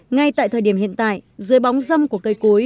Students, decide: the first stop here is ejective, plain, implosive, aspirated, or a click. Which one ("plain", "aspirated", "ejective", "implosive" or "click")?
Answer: plain